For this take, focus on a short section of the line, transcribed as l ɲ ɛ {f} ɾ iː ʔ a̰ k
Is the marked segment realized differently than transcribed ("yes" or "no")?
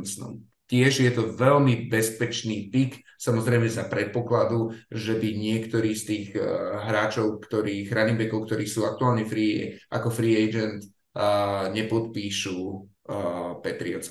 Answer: no